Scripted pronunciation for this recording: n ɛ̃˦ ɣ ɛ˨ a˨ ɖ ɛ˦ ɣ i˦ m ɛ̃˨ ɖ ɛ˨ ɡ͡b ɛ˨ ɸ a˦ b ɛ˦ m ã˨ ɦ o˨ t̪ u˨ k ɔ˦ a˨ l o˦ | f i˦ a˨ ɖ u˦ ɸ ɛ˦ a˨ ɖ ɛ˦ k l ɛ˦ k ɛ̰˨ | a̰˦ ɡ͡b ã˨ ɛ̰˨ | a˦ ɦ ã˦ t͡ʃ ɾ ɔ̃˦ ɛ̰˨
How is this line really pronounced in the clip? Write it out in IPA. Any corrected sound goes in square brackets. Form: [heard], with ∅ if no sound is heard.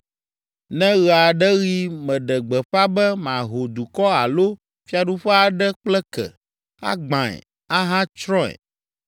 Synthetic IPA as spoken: n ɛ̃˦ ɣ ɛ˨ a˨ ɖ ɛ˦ ɣ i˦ m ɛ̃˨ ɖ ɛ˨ ɡ͡b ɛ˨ ɸ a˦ b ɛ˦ m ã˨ ɦ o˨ [d̪] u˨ k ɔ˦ a˨ l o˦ | f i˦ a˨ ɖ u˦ ɸ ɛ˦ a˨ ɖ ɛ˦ [k͡p] l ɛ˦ k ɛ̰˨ | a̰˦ ɡ͡b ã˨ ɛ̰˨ | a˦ ɦ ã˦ t͡ʃ ɾ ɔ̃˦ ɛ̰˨